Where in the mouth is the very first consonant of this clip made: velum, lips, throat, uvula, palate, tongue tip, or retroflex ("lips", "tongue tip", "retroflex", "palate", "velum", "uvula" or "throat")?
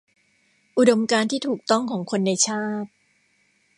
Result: throat